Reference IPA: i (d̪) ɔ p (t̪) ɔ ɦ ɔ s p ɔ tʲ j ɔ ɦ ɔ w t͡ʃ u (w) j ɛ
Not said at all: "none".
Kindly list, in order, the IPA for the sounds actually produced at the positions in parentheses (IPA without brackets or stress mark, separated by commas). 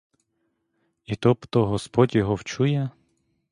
t̪, t̪, none